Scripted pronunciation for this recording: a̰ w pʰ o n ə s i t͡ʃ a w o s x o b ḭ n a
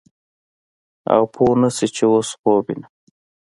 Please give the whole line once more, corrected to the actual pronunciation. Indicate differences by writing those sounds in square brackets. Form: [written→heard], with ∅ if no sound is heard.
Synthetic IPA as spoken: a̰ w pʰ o n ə s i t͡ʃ [a→e] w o s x o b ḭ n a